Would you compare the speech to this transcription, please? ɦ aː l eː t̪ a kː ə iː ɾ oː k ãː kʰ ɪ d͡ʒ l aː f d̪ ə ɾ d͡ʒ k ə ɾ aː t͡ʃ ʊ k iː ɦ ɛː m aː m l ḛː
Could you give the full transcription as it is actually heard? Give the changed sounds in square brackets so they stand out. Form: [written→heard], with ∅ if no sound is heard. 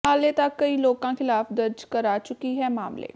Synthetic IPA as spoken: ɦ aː l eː t̪ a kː ə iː [ɾ→l] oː k ãː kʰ ɪ [d͡ʒ→∅] l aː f d̪ ə ɾ d͡ʒ k ə ɾ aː t͡ʃ ʊ k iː ɦ ɛː m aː m l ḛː